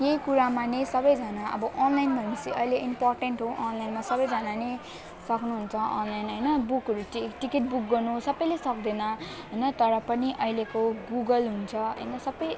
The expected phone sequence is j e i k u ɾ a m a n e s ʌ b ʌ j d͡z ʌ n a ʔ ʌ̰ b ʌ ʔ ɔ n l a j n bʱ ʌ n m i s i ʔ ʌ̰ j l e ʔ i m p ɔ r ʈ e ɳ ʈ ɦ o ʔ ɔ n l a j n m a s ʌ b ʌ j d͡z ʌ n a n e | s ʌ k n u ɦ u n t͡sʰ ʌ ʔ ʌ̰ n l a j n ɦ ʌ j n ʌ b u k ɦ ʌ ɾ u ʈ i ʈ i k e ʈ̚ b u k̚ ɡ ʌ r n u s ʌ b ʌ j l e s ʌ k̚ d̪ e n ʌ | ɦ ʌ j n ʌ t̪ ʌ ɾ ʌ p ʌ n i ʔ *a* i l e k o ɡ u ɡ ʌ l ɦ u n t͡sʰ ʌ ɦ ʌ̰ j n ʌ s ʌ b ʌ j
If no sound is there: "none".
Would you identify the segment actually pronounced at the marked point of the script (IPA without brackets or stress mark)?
ʌ